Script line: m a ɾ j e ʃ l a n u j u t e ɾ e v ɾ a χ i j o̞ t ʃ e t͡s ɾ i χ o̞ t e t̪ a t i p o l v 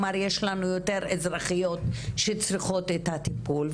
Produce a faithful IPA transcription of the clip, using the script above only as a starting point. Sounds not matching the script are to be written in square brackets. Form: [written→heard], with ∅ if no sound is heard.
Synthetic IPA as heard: m a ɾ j e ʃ l a n u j [u→o] t e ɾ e [v→z] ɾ a χ i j o̞ t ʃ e t͡s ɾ i χ o̞ t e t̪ a t i p [o→u] l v